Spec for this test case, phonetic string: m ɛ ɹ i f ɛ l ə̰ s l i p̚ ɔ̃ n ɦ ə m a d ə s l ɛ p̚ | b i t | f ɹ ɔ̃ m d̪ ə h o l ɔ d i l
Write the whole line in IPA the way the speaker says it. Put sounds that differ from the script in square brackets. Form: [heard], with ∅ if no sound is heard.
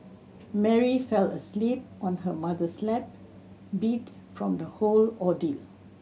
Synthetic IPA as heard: m ɛ ɹ i f ɛ l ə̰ s l i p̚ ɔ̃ n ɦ ə m a d ə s l ɛ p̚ | b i t | f ɹ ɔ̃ m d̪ ə h o l ɔ d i l